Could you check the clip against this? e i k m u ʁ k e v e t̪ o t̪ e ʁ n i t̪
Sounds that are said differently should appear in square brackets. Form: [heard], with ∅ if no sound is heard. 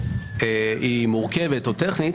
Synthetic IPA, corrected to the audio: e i [∅] m u ʁ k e v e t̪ o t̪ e [χ] n i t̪